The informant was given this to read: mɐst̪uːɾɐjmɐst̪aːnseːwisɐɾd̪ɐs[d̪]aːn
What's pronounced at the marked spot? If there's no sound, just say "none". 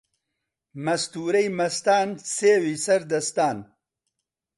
t̪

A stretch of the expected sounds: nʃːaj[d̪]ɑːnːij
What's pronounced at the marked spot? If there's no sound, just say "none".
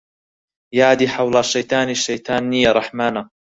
t̪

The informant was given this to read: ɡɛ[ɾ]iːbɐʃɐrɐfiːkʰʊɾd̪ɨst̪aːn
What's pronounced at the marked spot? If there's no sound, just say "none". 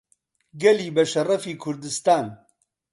l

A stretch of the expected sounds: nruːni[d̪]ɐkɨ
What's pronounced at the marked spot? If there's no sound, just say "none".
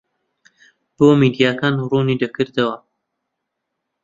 d̪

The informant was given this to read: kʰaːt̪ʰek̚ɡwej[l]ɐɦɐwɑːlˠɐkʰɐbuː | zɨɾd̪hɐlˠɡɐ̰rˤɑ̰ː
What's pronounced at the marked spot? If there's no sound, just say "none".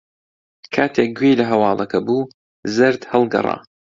l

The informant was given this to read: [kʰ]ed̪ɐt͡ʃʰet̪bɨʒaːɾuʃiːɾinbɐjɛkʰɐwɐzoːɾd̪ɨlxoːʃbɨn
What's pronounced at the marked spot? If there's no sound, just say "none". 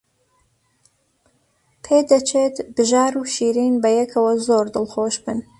pʰ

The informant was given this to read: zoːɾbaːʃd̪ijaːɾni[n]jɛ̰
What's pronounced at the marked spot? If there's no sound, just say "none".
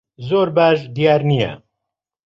none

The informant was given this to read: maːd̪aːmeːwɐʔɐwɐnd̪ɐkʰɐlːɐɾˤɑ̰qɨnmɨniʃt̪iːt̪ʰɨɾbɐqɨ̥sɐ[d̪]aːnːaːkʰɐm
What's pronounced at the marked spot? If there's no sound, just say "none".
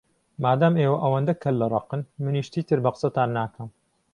t̪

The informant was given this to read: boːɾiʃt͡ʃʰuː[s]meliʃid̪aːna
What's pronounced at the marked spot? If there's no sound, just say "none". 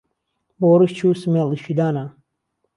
s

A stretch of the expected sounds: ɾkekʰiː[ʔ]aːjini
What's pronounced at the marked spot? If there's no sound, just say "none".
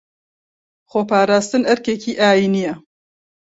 ʔ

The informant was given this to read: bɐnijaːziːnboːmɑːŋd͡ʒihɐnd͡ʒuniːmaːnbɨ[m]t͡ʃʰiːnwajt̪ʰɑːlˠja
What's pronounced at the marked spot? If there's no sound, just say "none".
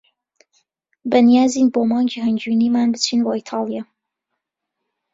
none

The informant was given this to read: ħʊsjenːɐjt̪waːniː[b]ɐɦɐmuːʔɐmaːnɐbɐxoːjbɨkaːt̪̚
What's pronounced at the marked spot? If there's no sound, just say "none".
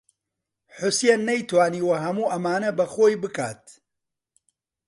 w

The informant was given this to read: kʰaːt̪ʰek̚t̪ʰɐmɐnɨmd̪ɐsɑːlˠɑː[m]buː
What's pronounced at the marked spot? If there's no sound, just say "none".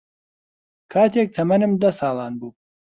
n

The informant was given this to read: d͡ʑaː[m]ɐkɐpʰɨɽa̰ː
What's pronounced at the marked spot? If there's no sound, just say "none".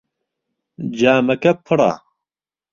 m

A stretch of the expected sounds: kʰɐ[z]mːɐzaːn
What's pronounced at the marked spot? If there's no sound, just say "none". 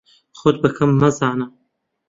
none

